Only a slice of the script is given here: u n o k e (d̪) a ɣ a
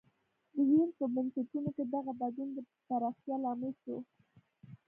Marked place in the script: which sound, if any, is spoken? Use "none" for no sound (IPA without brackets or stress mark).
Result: d̪